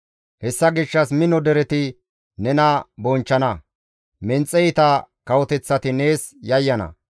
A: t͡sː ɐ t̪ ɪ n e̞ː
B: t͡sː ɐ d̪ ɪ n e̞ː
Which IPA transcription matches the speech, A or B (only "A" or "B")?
A